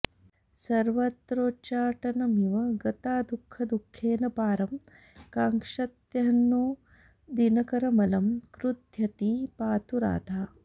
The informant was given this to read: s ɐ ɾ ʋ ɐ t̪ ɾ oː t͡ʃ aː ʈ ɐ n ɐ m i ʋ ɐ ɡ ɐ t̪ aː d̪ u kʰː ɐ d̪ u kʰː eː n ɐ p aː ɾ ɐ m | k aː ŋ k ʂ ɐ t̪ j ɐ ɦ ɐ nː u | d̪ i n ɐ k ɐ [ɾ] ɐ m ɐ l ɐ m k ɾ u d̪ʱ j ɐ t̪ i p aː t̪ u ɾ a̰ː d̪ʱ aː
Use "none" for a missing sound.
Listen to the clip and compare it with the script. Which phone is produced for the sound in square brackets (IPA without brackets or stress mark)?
ɾ